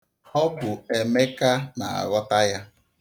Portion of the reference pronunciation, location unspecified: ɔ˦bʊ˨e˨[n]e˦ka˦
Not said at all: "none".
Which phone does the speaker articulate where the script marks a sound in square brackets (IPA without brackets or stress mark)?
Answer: m